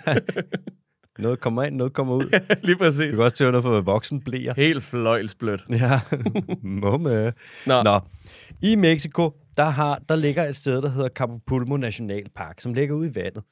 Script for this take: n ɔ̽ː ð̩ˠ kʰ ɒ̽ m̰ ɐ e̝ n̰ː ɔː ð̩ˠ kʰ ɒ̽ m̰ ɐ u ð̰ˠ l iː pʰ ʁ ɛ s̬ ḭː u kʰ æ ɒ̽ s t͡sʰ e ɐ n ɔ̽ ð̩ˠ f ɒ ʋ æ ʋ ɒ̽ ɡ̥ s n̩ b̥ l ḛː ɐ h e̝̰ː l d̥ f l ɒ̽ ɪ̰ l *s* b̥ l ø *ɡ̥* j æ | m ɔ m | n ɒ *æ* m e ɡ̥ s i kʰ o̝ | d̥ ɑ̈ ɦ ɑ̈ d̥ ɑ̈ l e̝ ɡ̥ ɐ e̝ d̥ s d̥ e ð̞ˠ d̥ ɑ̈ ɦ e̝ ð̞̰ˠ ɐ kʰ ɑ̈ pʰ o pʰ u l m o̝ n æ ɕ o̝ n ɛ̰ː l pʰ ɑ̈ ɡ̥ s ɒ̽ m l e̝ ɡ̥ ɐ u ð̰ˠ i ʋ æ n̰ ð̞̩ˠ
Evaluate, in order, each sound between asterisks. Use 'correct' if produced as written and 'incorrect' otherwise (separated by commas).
correct, incorrect, incorrect